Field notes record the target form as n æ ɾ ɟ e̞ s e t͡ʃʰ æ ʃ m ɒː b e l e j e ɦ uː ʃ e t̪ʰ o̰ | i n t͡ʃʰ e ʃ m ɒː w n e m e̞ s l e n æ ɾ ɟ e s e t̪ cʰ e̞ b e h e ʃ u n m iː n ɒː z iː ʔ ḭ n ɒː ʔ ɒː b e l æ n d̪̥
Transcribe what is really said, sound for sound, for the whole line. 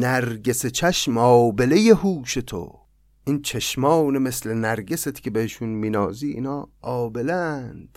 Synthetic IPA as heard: n æ ɾ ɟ e̞ s e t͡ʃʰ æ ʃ m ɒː b e l e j e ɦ uː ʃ e t̪ʰ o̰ | i n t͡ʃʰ e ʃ m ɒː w n e m e̞ s l e n æ ɾ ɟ e s e t̪ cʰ e̞ b e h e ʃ u n m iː n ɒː z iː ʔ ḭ n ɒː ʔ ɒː b e l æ n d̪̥